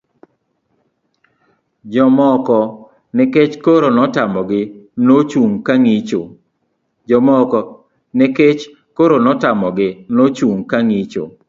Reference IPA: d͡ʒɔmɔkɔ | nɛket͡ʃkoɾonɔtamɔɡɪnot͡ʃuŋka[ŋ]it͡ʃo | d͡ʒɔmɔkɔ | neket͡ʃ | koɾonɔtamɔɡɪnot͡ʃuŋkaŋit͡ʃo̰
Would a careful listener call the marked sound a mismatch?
no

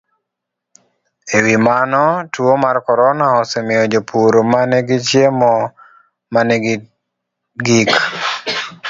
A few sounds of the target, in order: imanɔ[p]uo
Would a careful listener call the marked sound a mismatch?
yes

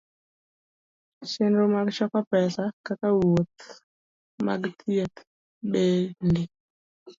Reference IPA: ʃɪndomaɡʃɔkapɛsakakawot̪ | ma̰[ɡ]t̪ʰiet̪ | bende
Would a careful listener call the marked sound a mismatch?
no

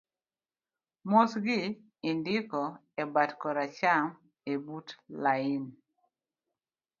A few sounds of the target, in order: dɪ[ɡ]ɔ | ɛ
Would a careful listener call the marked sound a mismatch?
yes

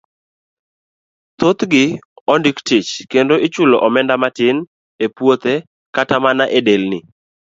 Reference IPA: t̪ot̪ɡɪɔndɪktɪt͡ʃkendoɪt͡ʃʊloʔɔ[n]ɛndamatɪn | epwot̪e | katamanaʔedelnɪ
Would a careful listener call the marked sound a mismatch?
yes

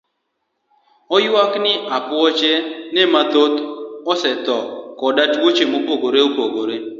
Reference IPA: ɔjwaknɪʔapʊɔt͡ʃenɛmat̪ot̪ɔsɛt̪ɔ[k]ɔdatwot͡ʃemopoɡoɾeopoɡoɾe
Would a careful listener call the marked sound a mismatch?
no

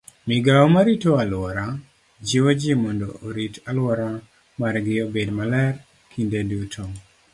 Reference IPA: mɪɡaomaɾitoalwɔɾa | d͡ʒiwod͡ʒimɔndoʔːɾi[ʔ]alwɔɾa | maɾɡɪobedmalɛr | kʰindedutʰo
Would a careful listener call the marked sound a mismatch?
yes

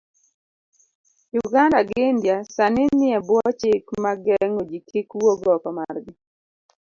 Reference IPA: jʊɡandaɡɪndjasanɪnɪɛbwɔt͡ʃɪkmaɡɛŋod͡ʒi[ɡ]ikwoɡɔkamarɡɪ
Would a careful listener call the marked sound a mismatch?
yes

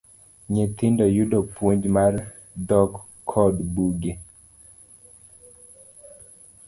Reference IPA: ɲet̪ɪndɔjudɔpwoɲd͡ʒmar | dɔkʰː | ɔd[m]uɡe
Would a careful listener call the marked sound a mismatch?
yes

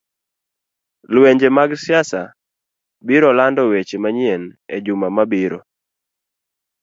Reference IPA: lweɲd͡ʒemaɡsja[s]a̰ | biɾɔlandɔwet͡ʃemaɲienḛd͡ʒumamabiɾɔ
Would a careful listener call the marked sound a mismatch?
no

